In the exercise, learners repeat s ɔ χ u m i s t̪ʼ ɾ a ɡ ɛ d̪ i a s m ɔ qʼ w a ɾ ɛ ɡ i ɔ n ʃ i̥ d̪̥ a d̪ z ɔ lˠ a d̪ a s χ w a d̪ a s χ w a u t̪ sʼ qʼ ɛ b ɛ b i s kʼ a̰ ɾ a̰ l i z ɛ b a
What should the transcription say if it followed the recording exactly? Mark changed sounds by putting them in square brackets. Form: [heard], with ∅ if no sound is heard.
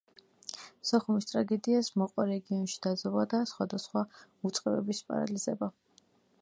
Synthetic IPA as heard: s ɔ χ u m i s t̪ʼ ɾ a ɡ ɛ d̪ i a s m ɔ qʼ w a ɾ ɛ ɡ i ɔ n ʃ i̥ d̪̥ a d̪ z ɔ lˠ a d̪ a s χ w a d̪ a s χ w a u t̪ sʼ qʼ ɛ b ɛ b i s [pʼ] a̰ ɾ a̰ l i z ɛ b a

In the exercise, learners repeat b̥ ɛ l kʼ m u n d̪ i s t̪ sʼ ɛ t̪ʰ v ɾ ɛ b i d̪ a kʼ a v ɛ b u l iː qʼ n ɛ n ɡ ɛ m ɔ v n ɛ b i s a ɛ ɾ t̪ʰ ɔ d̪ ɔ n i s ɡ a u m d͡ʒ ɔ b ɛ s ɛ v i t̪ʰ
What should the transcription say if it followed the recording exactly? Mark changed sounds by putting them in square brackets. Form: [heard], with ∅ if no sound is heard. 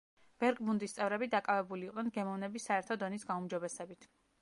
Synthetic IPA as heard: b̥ ɛ [ɾ] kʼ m u n d̪ i s t̪ sʼ ɛ [∅] v ɾ ɛ b i d̪ a kʼ a v ɛ b u l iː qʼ n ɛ n ɡ ɛ m ɔ v n ɛ b i s a ɛ ɾ t̪ʰ ɔ d̪ ɔ n i s ɡ a u m d͡ʒ ɔ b ɛ s ɛ [b] i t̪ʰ

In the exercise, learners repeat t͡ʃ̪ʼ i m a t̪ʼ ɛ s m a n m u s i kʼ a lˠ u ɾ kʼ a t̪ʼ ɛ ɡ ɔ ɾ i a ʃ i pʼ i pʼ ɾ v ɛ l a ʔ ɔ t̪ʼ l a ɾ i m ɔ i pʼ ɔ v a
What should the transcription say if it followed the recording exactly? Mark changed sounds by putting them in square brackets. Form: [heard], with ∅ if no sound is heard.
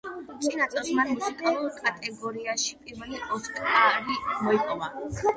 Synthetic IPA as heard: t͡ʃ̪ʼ i [n] a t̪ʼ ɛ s m a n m u s i kʼ a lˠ u ɾ kʼ a t̪ʼ ɛ ɡ ɔ ɾ i a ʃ i pʼ i [∅] ɾ v ɛ l [i] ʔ ɔ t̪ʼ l a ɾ i m ɔ i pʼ ɔ v a

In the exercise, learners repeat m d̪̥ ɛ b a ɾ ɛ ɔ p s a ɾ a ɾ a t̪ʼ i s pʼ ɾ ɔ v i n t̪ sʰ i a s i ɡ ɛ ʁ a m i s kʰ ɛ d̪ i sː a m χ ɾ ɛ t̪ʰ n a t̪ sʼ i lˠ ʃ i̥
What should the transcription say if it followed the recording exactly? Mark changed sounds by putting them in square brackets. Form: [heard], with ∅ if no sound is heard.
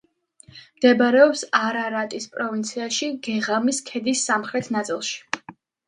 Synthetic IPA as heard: m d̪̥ ɛ b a ɾ ɛ ɔ p s a ɾ a ɾ a t̪ʼ i s pʼ ɾ ɔ v i n t̪ sʰ i a [ʃ] i ɡ ɛ ʁ a m i s kʰ ɛ d̪ i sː a m χ ɾ ɛ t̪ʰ n a t̪ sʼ i lˠ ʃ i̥

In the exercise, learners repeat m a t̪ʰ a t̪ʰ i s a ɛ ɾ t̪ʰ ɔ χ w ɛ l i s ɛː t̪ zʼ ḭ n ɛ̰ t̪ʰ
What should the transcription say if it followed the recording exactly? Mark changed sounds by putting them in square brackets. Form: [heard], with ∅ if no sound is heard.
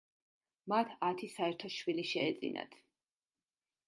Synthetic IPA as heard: m a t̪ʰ a t̪ʰ i s a ɛ ɾ t̪ʰ ɔ [ʃ] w [i] l i [ʃ] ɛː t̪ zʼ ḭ n [a̰] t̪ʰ

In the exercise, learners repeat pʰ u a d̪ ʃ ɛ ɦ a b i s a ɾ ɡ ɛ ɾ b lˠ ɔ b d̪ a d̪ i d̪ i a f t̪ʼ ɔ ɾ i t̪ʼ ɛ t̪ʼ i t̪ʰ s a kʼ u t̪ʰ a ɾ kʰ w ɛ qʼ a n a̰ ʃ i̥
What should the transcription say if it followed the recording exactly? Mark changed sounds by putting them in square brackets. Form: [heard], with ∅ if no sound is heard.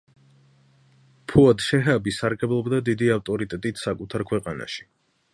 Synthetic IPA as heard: pʰ u a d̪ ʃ ɛ ɦ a b i s a ɾ ɡ ɛ [∅] b lˠ ɔ b d̪ a d̪ i d̪ i a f t̪ʼ ɔ ɾ i t̪ʼ ɛ t̪ʼ i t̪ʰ s a kʼ u t̪ʰ a ɾ kʰ w ɛ qʼ a n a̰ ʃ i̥

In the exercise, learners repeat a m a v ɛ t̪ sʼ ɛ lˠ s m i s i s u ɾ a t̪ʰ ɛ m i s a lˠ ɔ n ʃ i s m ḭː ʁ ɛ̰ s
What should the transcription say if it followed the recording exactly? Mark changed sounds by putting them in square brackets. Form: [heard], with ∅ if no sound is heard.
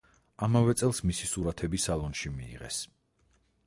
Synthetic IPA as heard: a m a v ɛ t̪ sʼ ɛ lˠ s m i s i s u ɾ a t̪ʰ ɛ [b] i s a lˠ ɔ n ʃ i [∅] m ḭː ʁ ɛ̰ s

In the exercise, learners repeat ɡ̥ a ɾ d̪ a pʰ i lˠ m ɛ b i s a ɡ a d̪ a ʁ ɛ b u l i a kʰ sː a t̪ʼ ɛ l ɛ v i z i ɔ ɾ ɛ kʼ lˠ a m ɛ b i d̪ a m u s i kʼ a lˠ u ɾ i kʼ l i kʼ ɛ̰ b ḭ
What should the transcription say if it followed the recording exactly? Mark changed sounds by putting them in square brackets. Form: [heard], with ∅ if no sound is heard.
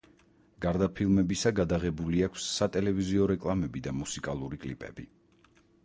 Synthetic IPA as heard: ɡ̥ a ɾ d̪ a pʰ i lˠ m ɛ b i s a ɡ a d̪ a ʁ ɛ b u l i a kʰ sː a t̪ʼ ɛ l ɛ v i z i ɔ ɾ ɛ kʼ lˠ a m ɛ b i d̪ a m u s i kʼ a lˠ u ɾ i kʼ l i [pʼ] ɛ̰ b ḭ

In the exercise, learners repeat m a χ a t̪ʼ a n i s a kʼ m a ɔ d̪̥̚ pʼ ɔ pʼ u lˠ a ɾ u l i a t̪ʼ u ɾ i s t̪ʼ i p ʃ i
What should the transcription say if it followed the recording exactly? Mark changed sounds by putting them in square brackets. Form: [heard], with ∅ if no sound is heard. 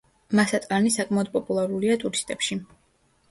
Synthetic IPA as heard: m a [s] a t̪ʼ a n i s a kʼ m a ɔ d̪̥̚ pʼ ɔ pʼ u lˠ a ɾ u l i a t̪ʼ u ɾ i s t̪ʼ [ɛ] p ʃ i

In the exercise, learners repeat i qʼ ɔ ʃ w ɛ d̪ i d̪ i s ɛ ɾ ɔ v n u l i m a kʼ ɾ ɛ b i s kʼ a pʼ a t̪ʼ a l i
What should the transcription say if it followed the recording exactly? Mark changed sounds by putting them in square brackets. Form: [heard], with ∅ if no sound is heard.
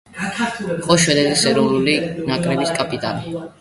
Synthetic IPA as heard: i qʼ ɔ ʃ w ɛ d̪ [ɛ] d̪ i s ɛ ɾ ɔ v n u l i [n] a kʼ ɾ ɛ b i s kʼ a pʼ [i] t̪ʼ a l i

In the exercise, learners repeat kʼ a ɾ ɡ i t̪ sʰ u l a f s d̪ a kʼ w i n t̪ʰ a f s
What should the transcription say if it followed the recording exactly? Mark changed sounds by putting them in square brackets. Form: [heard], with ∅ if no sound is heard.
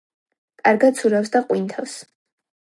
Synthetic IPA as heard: kʼ a ɾ ɡ [a] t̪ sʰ u [ɾ] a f s d̪ a [qʼ] w i n t̪ʰ a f s

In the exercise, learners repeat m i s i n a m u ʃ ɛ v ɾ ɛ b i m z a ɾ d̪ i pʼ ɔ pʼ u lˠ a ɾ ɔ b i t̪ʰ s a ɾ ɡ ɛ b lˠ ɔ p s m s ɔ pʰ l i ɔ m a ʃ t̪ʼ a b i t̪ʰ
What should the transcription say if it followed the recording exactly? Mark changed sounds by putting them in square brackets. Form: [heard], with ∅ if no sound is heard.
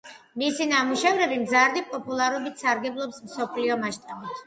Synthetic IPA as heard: m i s i n a m u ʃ ɛ v ɾ ɛ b i m z a ɾ d̪ i pʼ ɔ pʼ u lˠ a ɾ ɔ b i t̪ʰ s a ɾ ɡ ɛ b lˠ ɔ p s m s ɔ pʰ l i ɔ m a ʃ t̪ʼ a b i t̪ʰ

